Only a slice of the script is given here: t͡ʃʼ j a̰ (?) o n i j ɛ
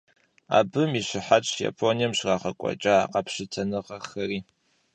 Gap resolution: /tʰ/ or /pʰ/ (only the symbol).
pʰ